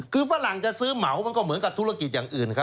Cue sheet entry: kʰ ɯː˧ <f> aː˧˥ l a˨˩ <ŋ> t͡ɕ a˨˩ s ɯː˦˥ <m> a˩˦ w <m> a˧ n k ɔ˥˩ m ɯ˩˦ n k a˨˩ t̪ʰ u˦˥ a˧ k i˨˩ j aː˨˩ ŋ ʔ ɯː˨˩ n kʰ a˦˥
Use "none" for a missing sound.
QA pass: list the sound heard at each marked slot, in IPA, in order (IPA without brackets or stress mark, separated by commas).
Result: f, ŋ, m, m